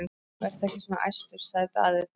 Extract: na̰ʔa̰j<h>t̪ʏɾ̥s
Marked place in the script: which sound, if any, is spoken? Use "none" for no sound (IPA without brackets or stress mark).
s